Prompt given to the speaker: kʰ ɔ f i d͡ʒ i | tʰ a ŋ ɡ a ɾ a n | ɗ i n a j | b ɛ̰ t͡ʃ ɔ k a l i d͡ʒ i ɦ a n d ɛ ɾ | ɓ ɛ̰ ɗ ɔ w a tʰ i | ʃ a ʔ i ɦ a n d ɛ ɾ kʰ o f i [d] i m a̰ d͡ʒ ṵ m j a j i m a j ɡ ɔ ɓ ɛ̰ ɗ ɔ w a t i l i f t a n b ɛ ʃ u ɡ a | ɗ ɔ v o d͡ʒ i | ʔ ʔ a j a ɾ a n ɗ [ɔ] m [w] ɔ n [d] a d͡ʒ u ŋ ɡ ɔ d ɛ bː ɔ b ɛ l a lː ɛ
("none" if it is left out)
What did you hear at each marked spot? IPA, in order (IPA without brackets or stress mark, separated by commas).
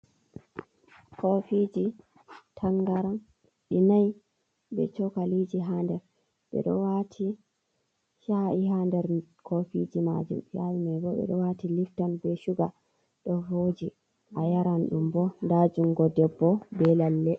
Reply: d͡ʒ, u, b, d